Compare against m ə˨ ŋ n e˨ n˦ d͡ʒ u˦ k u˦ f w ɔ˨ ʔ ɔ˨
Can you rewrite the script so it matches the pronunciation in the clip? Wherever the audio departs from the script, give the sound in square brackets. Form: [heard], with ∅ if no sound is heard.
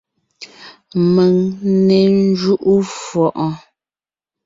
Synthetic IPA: m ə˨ ŋ n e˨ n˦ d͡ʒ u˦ [ʔ] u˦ f w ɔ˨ ʔ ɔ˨